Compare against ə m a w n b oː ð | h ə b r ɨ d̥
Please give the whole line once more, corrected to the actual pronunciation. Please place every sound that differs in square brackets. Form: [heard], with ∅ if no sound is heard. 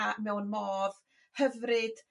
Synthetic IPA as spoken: [a] m [ɛ] w n [m] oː ð | h ə [v] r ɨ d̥